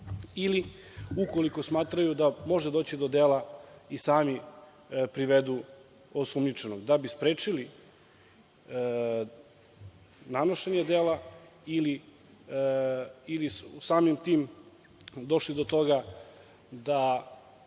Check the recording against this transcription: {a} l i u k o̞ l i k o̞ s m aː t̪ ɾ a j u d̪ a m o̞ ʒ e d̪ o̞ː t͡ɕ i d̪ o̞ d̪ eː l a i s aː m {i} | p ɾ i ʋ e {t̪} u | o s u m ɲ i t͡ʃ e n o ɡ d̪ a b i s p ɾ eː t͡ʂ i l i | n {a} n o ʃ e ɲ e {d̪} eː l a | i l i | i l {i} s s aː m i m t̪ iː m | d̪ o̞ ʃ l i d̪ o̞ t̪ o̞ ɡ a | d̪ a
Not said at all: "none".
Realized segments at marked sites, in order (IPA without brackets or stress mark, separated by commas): i, i, d̪, a, d̪, i